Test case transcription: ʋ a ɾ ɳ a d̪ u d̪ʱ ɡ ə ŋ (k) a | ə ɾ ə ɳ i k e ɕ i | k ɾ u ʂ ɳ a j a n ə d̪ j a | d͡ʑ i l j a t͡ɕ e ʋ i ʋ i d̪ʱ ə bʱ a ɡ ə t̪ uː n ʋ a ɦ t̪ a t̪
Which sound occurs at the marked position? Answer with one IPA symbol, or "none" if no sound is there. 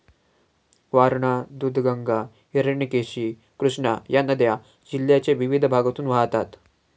ɡ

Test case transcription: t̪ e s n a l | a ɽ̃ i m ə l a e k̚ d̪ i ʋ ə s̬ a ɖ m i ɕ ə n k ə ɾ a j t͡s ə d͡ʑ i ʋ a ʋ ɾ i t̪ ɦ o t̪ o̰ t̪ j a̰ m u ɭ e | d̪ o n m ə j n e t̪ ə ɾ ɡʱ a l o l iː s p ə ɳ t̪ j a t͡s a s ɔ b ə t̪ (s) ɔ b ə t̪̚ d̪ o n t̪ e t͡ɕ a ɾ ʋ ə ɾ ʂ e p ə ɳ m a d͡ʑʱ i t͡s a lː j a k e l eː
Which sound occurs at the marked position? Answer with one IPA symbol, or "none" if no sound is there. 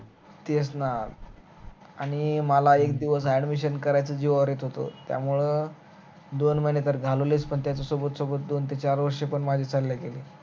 s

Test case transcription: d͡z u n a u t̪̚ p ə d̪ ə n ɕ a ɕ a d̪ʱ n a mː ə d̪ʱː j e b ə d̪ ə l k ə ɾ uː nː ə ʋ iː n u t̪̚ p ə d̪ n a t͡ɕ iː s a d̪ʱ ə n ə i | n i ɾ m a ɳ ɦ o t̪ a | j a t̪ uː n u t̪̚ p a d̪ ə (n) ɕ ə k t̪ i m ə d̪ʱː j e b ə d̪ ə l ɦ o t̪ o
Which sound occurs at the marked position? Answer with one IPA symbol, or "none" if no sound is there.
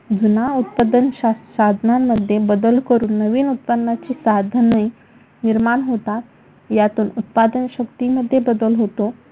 n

